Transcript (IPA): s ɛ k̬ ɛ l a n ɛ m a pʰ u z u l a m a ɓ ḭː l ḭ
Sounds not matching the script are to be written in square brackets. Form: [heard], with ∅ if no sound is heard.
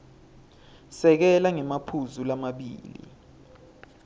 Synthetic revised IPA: s ɛ k̬ ɛ l a [ŋ] ɛ m a pʰ u z u l a m a ɓ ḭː l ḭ